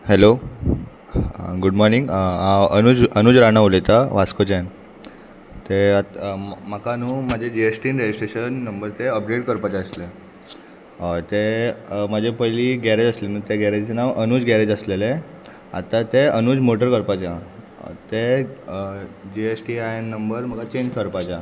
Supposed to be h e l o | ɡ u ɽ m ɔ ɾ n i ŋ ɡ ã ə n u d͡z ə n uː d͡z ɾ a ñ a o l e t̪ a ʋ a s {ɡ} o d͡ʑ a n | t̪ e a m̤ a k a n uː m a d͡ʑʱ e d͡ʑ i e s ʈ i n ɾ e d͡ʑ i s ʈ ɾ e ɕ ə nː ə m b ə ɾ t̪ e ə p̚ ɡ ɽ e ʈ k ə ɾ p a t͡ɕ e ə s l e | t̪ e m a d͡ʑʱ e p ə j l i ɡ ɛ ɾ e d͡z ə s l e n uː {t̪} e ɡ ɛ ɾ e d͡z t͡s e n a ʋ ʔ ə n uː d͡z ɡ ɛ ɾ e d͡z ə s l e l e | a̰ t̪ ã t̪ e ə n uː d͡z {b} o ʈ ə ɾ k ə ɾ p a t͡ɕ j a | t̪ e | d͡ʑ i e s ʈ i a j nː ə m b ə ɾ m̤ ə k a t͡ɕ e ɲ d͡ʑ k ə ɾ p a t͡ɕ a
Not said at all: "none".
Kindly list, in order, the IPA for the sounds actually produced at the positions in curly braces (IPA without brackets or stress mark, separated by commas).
k, t̪, m